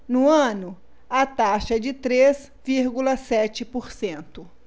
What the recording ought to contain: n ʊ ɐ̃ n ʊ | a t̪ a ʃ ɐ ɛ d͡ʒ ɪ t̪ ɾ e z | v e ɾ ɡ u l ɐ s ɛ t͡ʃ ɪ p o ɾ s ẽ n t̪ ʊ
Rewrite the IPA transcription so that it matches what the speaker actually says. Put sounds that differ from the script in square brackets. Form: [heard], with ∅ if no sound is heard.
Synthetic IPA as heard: n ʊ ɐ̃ n ʊ | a t̪ a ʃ ɐ ɛ d͡ʒ ɪ t̪ ɾ e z | v [i] ɾ ɡ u l ɐ s ɛ t͡ʃ ɪ p o ɾ s ẽ n t̪ ʊ